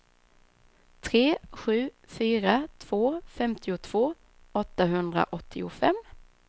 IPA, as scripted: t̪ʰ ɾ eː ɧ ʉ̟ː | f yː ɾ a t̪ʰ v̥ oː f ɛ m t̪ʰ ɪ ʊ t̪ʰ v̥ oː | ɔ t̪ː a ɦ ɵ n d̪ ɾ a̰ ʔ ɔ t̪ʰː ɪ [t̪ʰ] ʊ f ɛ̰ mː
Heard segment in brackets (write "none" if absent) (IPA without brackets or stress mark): none